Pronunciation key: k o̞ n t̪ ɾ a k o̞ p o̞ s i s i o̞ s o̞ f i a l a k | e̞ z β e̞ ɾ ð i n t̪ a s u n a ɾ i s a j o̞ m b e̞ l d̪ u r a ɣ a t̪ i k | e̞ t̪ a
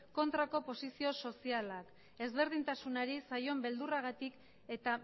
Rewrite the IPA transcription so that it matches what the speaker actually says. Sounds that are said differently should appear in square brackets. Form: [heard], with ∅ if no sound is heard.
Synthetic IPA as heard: k o̞ n t̪ ɾ a k o̞ p o̞ s i s i o̞ s o̞ [s] i a l a k | e̞ z β e̞ ɾ ð i n t̪ a s u n a ɾ i s a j o̞ m b e̞ l d̪ u r a ɣ a t̪ i k | e̞ t̪ a